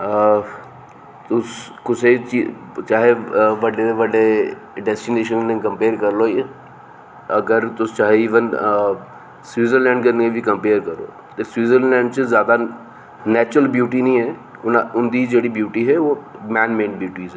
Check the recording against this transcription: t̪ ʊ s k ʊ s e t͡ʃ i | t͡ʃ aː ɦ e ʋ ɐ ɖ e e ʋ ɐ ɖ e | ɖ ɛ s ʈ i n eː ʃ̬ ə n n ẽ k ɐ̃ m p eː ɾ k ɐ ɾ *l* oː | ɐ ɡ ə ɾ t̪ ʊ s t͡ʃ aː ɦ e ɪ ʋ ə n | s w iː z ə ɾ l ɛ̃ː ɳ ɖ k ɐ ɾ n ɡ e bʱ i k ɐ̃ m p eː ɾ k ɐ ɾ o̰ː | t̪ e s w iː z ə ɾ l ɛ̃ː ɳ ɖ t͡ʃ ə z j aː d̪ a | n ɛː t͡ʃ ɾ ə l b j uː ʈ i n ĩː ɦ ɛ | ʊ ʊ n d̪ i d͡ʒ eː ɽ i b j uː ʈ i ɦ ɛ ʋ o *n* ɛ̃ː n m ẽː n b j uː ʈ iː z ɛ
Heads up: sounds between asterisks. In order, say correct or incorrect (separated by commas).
correct, incorrect